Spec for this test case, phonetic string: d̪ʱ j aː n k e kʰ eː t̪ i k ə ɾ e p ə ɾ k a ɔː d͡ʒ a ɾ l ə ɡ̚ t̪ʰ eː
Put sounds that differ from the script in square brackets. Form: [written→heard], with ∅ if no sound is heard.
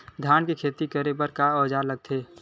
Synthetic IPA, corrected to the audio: d̪ʱ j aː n k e kʰ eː t̪ i k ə ɾ e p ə ɾ k a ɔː d͡ʒ a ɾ l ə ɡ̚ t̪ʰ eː